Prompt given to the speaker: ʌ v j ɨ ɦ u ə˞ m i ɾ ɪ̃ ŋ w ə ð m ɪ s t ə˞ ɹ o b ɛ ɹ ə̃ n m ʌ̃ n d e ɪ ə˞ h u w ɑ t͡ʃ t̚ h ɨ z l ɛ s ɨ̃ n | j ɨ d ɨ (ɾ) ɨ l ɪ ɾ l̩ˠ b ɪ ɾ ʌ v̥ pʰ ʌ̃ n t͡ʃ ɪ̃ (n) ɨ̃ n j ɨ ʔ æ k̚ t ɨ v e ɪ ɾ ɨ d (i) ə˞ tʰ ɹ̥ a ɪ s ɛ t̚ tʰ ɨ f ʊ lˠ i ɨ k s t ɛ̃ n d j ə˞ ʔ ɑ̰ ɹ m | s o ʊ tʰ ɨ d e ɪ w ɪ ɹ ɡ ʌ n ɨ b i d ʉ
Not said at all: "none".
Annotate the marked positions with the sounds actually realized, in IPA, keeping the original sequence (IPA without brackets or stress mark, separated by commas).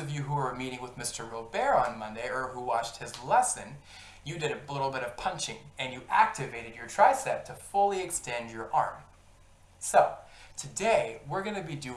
ɾ, ŋ, j